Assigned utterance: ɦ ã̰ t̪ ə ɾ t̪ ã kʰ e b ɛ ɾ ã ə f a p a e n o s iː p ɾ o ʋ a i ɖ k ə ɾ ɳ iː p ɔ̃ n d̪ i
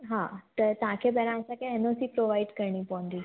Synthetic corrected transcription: ɦ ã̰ t̪ ə ɾ t̪ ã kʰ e b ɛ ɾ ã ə s a k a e n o s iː p ɾ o ʋ a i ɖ k ə ɾ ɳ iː p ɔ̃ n d̪ i